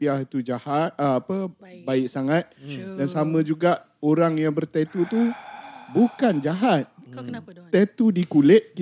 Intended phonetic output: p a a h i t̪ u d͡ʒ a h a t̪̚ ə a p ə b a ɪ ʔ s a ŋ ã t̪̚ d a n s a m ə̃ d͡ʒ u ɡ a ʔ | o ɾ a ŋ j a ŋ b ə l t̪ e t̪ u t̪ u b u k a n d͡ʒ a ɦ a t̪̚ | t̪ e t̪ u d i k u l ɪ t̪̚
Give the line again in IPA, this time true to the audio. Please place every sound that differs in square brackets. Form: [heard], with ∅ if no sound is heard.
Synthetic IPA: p [i] a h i t̪ u d͡ʒ a h a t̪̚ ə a p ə b a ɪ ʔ s a ŋ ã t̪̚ d a n s a m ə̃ d͡ʒ u ɡ a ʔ | o ɾ a ŋ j a ŋ b ə [r] t̪ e t̪ u t̪ u b u k a n d͡ʒ a ɦ a t̪̚ | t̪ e t̪ u d i k u l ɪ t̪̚